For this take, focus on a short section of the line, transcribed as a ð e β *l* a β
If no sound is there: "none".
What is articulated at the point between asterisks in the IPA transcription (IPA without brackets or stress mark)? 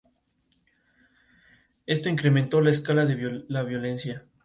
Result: l